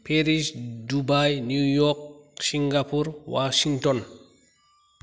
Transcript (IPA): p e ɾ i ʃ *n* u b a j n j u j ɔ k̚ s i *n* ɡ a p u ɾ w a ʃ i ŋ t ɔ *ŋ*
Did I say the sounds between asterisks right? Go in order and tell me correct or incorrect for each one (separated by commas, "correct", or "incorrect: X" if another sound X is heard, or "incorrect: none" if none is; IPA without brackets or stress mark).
incorrect: d, incorrect: ŋ, incorrect: n